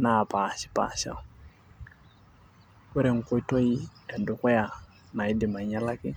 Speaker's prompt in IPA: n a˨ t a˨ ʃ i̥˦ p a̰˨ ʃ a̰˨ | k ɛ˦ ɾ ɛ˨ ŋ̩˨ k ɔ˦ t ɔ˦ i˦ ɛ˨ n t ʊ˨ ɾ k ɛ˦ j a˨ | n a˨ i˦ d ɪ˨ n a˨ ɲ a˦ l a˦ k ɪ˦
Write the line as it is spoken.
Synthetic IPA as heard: n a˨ p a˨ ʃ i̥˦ p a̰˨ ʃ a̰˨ | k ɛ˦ ɾ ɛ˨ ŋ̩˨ k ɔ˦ t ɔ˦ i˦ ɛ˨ n d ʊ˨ k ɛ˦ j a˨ | n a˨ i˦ d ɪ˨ m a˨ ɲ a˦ l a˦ k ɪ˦